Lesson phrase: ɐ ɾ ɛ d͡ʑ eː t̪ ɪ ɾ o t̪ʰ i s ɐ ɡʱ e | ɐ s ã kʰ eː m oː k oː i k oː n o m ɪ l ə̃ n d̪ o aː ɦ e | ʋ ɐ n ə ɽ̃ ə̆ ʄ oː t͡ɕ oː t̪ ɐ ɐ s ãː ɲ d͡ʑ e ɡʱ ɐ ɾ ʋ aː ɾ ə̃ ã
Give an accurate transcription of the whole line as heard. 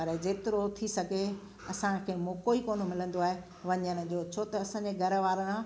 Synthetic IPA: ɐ ɾ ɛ d͡ʑ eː t̪ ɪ ɾ o t̪ʰ i s ɐ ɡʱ e | ɐ s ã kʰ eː m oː k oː i k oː n o m ɪ l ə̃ n d̪ o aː ɦ e | ʋ ɐ ɲ ə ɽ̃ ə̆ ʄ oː t͡ɕʰ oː t̪ ɐ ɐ s ãː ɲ d͡ʑ e ɡʱ ɐ ɾ ʋ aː ɾ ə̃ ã